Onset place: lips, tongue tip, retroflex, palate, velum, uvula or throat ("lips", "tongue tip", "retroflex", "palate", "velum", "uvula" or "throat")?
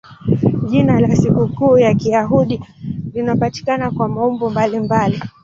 palate